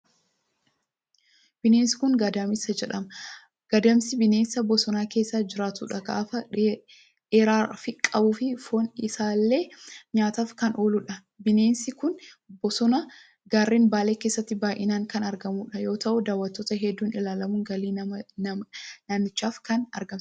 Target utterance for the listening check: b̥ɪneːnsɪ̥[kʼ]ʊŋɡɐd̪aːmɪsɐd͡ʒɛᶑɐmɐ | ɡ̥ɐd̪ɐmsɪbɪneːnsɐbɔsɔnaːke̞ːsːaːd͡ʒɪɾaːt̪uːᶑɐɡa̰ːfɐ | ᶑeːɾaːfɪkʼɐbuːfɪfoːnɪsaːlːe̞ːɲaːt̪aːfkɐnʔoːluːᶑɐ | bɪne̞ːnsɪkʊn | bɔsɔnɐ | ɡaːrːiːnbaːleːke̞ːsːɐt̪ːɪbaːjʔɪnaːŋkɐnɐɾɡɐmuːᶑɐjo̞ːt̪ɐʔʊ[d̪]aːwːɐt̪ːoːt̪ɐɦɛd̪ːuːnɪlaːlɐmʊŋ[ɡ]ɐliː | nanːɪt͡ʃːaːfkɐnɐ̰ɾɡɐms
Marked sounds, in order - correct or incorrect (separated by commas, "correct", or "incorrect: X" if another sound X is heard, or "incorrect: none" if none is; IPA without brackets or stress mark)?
incorrect: k, correct, correct